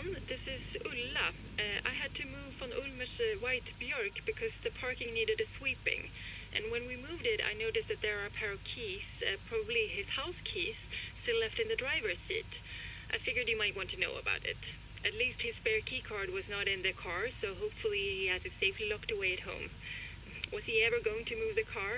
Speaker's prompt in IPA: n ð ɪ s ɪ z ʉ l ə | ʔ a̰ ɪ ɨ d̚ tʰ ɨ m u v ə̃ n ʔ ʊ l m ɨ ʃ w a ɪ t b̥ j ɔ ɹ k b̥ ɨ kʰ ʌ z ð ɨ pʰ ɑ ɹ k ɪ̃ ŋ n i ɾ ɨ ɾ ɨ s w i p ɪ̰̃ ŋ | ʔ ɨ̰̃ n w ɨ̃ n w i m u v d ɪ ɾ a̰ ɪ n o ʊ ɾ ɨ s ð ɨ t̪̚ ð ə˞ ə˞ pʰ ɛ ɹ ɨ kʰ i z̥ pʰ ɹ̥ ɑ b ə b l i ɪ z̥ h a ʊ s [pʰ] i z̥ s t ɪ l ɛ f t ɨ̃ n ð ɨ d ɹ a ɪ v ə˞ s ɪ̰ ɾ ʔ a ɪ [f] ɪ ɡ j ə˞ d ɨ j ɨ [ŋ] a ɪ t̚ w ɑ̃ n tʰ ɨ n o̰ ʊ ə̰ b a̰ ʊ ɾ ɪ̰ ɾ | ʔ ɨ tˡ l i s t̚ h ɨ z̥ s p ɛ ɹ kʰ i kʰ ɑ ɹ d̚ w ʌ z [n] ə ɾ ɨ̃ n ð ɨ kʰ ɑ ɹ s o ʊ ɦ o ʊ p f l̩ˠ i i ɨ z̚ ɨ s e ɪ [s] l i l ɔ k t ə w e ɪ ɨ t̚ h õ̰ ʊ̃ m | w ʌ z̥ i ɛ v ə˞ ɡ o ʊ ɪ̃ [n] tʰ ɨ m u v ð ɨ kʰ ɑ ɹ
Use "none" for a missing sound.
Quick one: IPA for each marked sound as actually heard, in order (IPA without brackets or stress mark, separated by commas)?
kʰ, f, m, n, f, ŋ